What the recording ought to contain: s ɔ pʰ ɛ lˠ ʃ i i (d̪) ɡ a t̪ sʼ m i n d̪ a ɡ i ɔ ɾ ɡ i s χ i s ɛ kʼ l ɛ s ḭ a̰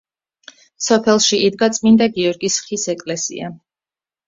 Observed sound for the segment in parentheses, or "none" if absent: d̪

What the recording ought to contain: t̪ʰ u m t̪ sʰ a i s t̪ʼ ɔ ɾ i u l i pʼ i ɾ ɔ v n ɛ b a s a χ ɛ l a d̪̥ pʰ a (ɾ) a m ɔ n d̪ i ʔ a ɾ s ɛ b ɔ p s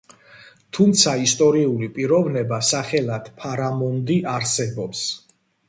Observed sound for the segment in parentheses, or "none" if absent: ɾ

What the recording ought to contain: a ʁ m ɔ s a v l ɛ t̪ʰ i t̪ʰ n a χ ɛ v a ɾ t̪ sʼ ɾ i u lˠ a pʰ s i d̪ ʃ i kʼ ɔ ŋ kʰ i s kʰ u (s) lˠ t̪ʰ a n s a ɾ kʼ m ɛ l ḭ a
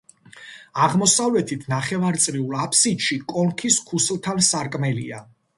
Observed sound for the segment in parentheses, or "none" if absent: s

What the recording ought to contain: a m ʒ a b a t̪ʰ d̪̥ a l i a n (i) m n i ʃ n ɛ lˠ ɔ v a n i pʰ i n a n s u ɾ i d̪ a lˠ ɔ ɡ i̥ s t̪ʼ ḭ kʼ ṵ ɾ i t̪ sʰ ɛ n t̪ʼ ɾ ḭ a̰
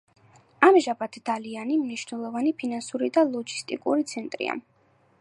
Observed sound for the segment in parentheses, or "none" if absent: i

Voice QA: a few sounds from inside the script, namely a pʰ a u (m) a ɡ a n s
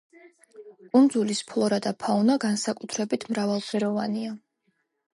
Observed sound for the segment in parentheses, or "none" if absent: n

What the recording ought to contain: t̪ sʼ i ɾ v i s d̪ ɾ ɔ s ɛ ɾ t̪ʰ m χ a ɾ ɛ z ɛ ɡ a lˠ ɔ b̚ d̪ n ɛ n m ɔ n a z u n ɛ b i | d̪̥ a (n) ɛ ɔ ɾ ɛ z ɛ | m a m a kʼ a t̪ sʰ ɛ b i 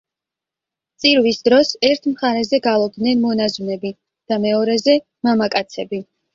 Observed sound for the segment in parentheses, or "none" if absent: m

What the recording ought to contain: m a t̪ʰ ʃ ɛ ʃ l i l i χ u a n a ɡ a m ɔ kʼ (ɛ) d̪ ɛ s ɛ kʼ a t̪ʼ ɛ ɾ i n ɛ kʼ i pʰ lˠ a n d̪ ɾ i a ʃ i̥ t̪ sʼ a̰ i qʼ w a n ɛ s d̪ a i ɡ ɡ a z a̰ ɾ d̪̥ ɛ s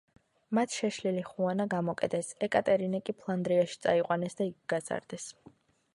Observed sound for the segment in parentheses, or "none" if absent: ɛ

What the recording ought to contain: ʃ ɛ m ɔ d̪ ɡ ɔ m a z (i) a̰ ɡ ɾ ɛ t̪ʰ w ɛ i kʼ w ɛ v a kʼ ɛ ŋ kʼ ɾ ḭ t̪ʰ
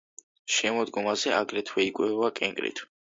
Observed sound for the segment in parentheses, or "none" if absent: ɛ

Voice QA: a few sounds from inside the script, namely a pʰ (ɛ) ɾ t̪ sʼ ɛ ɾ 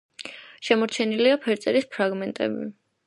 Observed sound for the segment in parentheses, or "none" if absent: ɛ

